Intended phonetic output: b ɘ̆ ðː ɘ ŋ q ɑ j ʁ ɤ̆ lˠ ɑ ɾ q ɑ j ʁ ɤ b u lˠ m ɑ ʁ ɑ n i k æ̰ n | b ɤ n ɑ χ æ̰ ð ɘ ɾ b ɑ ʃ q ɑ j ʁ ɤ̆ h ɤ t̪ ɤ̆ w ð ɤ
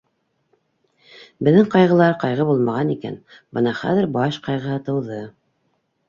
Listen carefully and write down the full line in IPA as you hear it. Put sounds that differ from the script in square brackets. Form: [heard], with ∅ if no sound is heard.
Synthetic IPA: b ɘ̆ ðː ɘ ŋ q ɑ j ʁ ɤ̆ lˠ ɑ ɾ q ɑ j ʁ ɤ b u lˠ m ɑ ʁ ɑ n i k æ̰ n | b ɤ n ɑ χ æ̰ ð ɘ ɾ b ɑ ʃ q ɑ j ʁ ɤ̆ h ɤ t̪ ɤ̆ w ð ɤ